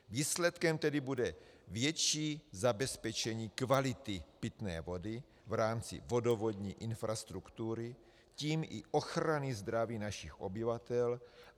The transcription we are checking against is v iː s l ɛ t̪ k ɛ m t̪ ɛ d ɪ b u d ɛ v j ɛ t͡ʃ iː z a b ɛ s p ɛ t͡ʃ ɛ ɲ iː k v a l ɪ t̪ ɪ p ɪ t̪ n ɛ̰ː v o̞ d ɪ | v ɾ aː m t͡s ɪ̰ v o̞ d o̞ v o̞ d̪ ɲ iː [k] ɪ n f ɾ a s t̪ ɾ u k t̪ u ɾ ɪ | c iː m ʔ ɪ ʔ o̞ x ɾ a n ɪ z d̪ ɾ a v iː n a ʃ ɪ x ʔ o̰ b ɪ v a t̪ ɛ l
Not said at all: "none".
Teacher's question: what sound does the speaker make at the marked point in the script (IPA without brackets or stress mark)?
ʔ